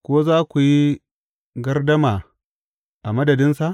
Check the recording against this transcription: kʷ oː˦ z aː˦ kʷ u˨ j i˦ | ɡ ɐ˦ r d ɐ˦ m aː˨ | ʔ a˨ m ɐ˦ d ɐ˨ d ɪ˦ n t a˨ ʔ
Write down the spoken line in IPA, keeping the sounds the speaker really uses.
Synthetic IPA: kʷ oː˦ z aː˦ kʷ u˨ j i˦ | ɡ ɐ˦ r d ɐ˦ m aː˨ | ʔ a˨ m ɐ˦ d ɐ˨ d ɪ˦ n s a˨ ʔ